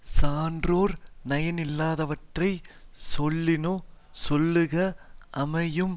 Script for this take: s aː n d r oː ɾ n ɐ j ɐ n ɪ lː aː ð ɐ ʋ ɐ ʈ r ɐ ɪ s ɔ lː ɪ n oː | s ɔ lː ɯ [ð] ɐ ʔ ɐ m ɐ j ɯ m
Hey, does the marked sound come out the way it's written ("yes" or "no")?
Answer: no